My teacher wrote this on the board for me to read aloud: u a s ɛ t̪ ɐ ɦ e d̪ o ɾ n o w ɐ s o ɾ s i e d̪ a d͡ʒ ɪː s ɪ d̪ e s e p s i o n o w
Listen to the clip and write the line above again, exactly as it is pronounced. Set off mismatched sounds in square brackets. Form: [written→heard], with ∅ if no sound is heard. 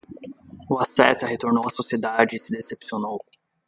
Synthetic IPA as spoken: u a s ɛ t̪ ɐ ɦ e [d̪→t̪] o ɾ n o w ɐ s o [ɾ→∅] s i e d̪ a d͡ʒ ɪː s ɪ d̪ e s e p s i o n o w